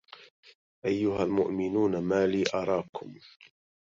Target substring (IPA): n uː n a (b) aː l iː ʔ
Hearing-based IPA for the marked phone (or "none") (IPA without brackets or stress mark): m